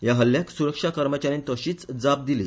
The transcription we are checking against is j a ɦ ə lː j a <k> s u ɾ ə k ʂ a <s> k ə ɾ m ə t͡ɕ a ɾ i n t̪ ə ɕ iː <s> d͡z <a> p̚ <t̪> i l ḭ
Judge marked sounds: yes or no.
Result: yes, no, no, yes, no

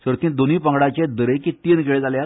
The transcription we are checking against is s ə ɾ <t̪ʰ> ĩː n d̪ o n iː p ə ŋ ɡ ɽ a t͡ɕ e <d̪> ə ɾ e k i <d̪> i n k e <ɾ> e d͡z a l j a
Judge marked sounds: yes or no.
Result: no, yes, no, no

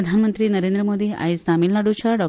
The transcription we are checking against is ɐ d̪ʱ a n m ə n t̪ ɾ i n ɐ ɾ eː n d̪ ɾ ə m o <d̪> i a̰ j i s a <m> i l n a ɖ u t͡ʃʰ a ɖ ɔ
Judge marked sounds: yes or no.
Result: yes, yes

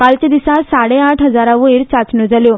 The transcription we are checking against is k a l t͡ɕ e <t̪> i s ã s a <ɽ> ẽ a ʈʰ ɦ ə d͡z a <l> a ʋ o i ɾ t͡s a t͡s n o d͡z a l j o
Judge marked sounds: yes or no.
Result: no, yes, no

